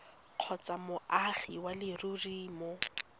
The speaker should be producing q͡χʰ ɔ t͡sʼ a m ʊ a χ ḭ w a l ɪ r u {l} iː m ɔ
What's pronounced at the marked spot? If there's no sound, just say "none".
r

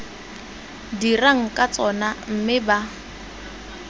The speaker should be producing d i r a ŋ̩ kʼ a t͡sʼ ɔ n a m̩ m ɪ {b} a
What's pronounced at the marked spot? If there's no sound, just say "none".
b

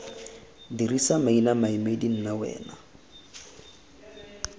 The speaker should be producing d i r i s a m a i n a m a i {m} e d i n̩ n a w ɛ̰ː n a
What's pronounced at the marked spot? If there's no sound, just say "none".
m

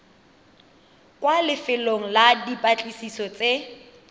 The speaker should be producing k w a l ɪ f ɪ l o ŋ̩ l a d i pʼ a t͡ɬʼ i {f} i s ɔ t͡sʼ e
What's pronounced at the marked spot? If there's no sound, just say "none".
s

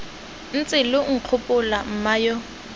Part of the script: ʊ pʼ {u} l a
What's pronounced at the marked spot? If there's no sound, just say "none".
ʊ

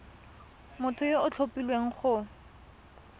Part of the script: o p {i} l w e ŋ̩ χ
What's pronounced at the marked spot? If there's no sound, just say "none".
i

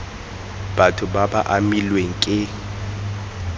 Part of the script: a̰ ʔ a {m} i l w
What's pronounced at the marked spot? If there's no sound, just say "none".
m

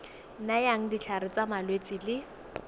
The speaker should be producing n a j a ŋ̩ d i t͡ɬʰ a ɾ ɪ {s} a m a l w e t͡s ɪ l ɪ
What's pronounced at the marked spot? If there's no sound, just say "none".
t͡s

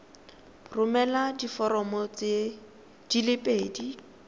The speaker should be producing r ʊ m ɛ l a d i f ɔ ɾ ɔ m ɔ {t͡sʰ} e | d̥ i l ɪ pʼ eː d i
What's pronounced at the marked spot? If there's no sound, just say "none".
t͡s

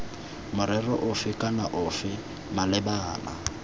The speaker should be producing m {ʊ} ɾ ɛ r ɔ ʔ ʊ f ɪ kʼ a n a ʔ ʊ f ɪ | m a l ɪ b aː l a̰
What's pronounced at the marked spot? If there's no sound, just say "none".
ʊ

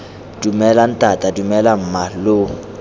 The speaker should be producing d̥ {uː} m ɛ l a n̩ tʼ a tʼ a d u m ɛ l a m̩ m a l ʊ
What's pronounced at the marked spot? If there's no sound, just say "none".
u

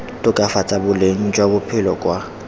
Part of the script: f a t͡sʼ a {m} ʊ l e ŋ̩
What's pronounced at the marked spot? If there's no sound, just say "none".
b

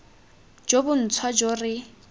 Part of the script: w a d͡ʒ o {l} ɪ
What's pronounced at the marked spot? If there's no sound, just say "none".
r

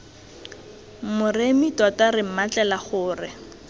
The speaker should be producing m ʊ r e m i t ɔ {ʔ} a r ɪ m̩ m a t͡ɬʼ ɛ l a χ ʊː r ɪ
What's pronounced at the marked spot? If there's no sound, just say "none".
t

